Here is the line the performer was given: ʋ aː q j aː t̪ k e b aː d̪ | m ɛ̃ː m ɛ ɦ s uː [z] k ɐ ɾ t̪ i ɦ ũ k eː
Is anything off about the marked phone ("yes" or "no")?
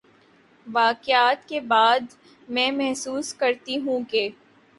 yes